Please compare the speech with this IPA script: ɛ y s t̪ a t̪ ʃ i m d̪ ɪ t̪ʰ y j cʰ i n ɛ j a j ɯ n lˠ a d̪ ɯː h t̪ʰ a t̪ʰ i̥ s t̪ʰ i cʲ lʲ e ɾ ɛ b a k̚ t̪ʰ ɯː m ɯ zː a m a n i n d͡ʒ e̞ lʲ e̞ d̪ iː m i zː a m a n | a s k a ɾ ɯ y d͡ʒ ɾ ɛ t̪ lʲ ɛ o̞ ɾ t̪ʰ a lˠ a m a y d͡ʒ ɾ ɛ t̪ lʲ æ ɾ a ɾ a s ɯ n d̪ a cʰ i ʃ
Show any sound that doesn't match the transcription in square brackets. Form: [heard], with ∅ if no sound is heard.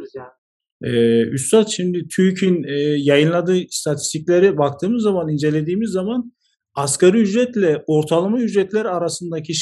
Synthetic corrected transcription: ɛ y s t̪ a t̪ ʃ i m d̪ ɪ t̪ʰ y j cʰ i n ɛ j a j ɯ n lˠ a d̪ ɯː [s] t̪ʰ a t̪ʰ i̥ s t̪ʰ i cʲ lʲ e ɾ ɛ b a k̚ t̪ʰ ɯː m ɯ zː a m a n i n d͡ʒ e̞ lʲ e̞ d̪ iː m i zː a m a n | a s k a ɾ ɯ y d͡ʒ ɾ ɛ t̪ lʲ ɛ o̞ ɾ t̪ʰ a lˠ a m a y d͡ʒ ɾ ɛ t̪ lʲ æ ɾ a ɾ a s ɯ n d̪ a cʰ i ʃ